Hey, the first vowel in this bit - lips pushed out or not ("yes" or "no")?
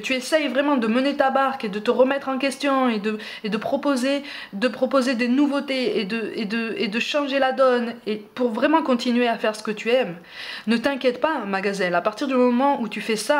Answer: yes